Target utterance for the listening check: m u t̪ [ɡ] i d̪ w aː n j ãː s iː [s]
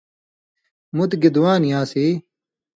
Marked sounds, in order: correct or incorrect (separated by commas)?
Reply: correct, incorrect